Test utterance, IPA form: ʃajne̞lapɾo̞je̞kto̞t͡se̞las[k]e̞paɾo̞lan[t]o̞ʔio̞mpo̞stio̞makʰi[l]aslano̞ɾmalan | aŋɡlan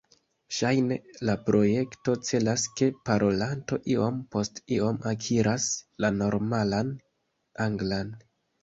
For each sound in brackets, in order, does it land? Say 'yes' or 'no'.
yes, yes, no

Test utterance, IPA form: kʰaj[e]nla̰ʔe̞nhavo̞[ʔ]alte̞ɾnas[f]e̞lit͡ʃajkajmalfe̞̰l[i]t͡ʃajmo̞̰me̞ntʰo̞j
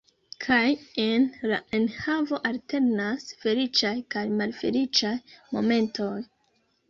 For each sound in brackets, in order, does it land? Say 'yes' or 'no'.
yes, yes, yes, yes

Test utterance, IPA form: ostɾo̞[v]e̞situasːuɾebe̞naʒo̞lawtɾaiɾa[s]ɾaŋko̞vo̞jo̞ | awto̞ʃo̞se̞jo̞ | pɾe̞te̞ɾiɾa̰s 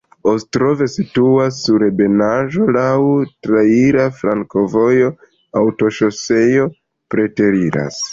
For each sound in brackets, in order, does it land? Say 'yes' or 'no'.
yes, no

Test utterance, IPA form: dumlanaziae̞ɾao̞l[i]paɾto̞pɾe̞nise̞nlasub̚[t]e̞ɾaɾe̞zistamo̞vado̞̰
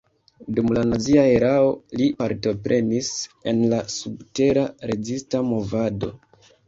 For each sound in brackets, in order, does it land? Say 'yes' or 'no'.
yes, yes

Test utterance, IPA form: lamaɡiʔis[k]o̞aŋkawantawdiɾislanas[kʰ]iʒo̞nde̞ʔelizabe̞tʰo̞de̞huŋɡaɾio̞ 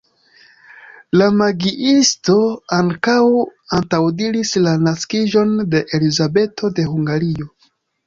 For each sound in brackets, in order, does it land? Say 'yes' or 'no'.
no, no

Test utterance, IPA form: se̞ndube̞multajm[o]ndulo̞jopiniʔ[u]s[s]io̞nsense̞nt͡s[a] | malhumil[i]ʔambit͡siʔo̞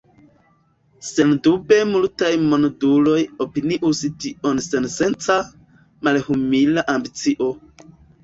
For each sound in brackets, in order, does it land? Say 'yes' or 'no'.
yes, yes, no, yes, no

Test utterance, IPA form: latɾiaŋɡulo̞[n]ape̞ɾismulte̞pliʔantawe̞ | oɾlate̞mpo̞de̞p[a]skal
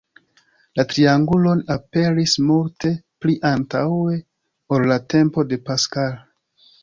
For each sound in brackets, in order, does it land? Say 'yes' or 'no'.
yes, yes

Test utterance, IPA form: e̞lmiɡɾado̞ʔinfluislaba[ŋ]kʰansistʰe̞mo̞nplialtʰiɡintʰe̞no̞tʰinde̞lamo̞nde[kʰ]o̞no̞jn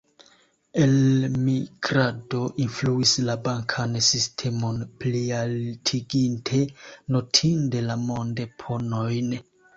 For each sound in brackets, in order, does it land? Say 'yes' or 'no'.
yes, no

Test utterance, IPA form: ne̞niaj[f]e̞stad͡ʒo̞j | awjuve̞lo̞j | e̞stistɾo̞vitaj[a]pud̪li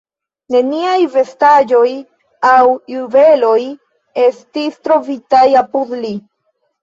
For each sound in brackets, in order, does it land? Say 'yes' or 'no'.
no, yes

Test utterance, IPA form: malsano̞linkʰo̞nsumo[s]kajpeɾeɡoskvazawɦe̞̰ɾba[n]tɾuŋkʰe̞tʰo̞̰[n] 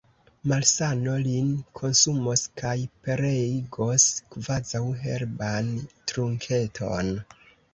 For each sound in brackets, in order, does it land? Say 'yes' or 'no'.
yes, yes, yes

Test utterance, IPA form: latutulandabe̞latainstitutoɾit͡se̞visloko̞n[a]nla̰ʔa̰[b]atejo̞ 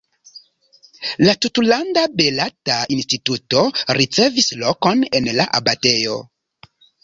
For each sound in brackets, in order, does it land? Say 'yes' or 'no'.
no, yes

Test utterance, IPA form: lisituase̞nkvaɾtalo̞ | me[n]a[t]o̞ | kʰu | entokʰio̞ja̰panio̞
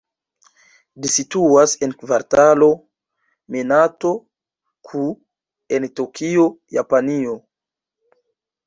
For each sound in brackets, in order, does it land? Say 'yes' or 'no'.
yes, yes

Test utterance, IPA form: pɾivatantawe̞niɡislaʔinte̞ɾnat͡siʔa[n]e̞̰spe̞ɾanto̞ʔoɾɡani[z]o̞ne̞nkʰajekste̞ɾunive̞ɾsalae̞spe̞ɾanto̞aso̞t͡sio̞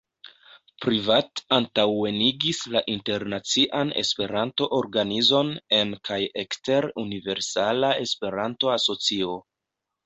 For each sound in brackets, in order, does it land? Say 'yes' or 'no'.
yes, yes

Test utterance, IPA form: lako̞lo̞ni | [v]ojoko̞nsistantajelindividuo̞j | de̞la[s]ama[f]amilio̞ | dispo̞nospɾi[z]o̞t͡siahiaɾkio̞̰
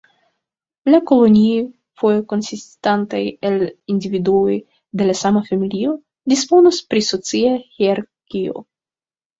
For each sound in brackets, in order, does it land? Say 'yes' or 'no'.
no, yes, yes, no

